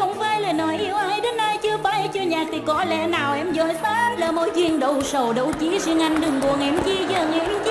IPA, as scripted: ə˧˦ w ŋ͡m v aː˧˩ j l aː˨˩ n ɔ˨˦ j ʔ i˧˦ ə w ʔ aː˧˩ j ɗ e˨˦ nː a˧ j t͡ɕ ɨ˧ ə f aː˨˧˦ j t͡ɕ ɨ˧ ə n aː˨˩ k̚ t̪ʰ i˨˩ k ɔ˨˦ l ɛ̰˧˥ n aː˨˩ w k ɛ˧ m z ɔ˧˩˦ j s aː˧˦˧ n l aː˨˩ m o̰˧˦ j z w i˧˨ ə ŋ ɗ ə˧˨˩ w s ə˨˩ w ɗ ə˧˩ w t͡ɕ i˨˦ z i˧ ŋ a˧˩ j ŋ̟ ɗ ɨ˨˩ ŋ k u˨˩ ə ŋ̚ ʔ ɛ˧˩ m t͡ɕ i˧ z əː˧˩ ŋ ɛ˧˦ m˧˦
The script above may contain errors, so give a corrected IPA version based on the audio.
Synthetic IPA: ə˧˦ w ŋ͡m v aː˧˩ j l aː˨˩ n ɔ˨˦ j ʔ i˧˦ ə w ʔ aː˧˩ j ɗ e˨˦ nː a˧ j t͡ɕ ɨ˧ ə f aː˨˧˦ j t͡ɕ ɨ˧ ə ɲ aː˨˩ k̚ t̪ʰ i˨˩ k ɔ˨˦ l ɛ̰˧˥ n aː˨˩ w ʔ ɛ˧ m z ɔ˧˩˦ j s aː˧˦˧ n l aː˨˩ m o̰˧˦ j z w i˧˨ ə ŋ ɗ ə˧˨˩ w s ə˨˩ w ɗ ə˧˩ w t͡ɕ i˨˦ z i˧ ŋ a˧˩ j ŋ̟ ɗ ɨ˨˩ ŋ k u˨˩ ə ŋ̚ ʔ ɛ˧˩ m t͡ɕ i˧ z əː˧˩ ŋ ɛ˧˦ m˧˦